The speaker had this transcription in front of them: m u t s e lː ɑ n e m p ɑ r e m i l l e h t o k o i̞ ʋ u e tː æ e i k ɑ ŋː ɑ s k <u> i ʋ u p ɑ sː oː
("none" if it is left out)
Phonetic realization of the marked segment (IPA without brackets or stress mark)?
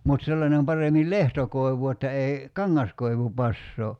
o